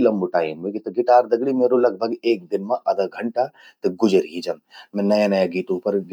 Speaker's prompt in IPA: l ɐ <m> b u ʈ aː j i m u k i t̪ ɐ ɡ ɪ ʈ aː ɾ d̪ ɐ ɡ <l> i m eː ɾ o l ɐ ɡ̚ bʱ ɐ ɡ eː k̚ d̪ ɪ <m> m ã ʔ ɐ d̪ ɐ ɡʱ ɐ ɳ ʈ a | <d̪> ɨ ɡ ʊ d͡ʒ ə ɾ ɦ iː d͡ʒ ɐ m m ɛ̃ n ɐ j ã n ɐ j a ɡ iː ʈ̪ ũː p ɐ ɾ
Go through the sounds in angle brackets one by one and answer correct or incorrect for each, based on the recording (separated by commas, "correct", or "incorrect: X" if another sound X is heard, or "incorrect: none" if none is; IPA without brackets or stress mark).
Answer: correct, incorrect: ɽ, incorrect: n, incorrect: t̪